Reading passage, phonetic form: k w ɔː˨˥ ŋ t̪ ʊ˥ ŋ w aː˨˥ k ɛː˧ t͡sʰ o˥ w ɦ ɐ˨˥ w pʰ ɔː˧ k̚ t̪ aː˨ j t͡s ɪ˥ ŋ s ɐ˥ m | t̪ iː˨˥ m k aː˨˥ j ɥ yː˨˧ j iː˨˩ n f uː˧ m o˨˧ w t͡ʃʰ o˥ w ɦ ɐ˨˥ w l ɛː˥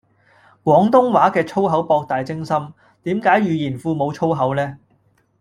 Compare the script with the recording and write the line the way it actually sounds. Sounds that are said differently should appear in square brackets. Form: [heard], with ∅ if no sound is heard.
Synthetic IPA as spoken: k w ɔː˨˥ ŋ t̪ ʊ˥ ŋ w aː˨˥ k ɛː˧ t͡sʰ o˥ w ɦ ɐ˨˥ w [p] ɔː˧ k̚ t̪ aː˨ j t͡s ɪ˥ ŋ s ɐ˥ m | t̪ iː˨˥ m k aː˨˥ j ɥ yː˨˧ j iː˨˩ n f uː˧ m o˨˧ w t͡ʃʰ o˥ w ɦ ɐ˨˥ w l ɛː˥